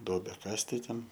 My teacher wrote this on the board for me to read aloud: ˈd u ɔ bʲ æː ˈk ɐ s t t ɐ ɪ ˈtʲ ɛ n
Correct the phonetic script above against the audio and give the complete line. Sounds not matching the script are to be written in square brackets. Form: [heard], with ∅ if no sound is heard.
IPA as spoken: ˈd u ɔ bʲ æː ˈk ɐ s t t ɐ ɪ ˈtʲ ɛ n